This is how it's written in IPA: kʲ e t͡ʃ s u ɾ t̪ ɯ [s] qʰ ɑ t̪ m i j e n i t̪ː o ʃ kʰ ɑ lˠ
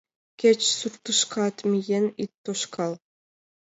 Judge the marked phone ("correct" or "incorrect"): incorrect